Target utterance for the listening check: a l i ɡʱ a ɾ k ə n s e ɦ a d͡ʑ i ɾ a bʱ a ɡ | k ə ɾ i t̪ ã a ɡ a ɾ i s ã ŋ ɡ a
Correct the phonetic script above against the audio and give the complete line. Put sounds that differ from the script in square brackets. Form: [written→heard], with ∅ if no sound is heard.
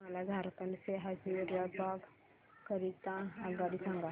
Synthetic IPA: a l [i→a] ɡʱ a ɾ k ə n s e ɦ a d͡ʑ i ɾ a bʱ a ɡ | k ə ɾ i t̪ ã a ɡ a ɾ i s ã ŋ ɡ a